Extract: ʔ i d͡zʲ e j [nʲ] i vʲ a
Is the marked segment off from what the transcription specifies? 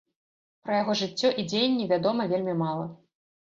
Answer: yes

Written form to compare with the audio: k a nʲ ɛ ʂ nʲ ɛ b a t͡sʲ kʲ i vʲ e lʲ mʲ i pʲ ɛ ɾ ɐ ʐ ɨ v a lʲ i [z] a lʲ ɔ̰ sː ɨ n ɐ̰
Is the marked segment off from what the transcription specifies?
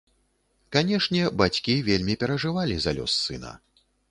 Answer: no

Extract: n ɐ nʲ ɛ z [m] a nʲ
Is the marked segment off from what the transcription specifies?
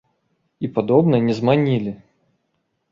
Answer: no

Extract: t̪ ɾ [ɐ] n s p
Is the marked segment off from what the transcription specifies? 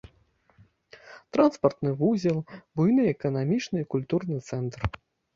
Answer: yes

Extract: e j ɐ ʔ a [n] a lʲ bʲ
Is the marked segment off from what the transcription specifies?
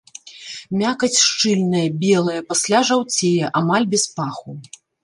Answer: yes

